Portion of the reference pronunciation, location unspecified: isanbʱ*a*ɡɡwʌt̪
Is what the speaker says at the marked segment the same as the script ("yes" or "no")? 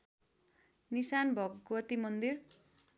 no